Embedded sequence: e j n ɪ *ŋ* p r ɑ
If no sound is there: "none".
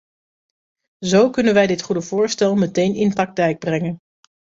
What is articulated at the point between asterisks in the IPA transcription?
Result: n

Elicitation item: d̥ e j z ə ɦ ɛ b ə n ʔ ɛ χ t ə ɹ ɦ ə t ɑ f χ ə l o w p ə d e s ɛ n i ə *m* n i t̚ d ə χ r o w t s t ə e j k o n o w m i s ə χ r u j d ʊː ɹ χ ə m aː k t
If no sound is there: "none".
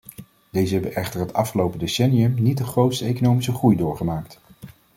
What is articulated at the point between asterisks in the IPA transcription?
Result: m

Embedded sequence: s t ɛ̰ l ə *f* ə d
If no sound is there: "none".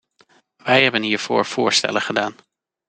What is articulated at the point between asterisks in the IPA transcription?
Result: χ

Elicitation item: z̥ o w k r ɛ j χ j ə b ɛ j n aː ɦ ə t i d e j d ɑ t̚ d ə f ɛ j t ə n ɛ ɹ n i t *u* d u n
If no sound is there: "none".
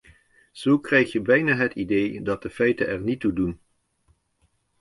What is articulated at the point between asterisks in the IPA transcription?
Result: u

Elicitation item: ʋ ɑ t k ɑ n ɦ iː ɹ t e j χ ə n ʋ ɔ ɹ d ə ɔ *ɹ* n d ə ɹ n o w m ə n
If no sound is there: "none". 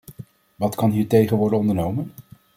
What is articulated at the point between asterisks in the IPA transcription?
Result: none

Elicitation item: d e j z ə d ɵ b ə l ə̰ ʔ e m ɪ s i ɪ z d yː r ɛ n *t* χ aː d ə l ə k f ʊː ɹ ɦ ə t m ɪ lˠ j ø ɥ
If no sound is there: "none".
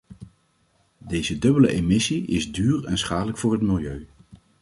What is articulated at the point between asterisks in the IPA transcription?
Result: s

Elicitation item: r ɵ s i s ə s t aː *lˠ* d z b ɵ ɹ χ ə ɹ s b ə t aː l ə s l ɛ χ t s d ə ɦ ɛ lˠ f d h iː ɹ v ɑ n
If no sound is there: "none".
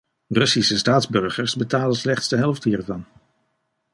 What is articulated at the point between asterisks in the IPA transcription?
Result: none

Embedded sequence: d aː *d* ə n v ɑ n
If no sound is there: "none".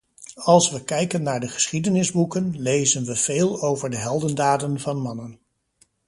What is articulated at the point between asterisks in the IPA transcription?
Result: d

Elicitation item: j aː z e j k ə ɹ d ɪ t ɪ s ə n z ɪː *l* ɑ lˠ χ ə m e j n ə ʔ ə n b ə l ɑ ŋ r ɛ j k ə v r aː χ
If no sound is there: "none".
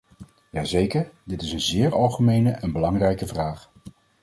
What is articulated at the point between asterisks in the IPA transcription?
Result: ɹ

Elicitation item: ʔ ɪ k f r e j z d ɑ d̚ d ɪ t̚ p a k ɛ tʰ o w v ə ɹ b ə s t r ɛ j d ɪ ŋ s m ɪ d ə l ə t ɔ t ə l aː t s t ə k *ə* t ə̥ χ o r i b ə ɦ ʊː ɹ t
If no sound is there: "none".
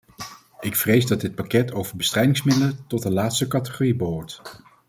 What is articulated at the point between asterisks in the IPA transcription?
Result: ɑ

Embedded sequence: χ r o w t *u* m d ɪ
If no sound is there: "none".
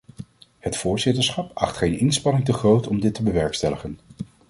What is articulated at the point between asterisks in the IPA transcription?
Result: ɔ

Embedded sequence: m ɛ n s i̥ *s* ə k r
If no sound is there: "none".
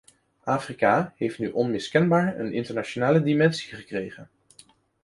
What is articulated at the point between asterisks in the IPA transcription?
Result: χ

